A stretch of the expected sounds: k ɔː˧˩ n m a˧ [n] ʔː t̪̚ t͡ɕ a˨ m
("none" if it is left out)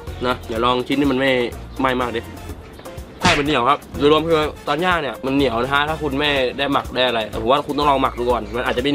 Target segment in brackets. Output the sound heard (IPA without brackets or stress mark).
n